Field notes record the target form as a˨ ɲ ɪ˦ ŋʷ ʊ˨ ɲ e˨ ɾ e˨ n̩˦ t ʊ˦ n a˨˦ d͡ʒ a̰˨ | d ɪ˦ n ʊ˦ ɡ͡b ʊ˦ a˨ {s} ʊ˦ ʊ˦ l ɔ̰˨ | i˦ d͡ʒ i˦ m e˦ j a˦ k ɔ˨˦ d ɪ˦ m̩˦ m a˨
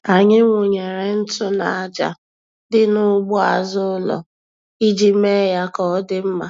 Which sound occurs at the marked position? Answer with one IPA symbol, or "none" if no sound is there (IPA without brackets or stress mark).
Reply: z